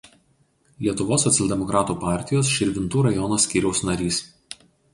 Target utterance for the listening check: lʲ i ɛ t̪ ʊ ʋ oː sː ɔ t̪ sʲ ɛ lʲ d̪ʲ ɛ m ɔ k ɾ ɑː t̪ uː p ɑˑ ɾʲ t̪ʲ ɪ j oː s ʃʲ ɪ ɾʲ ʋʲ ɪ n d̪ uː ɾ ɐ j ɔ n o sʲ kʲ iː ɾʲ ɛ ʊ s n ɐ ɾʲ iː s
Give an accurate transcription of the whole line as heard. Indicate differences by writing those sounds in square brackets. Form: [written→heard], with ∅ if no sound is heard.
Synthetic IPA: lʲ i ɛ t̪ ʊ ʋ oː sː ɔ t̪ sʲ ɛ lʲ d̪ʲ ɛ m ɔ k ɾ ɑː t̪ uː p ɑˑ ɾʲ t̪ʲ ɪ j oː s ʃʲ ɪ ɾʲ ʋʲ ɪ n [d̪→t̪] uː ɾ ɐ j ɔ n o sʲ kʲ iː ɾʲ ɛ ʊ s n ɐ ɾʲ iː s